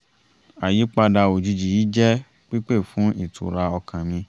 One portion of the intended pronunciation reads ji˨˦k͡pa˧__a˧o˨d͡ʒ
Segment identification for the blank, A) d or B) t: A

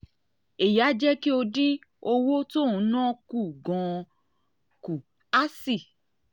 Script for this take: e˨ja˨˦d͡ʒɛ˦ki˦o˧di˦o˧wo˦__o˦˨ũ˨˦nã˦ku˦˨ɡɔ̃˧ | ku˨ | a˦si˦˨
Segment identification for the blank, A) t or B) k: A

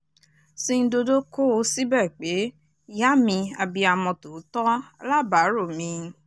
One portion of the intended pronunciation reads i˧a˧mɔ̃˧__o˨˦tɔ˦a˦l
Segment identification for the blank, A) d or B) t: B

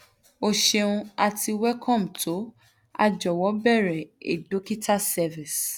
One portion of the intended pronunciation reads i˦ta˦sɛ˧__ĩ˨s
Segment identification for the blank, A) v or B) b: A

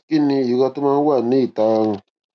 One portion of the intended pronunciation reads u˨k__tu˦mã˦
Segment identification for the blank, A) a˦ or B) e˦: A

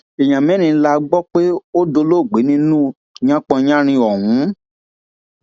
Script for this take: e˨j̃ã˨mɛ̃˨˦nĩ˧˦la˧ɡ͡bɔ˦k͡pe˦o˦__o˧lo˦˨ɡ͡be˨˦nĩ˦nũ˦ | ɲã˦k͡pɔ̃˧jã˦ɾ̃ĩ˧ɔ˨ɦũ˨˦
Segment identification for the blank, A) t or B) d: B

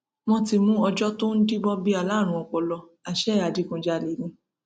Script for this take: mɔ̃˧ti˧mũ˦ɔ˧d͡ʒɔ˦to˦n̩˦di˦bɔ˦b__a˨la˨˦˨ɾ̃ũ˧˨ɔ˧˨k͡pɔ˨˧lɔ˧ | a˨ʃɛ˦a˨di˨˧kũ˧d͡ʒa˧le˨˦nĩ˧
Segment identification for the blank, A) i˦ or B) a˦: A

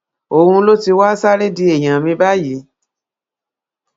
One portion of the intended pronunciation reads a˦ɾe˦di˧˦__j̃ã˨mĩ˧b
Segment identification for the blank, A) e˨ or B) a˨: A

